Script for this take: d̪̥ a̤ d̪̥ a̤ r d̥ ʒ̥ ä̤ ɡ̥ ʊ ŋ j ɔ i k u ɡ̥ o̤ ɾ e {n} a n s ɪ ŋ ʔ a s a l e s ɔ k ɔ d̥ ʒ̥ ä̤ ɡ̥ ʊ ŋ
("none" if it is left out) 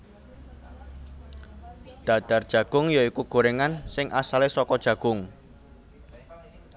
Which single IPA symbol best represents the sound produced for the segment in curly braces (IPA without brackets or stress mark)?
ŋ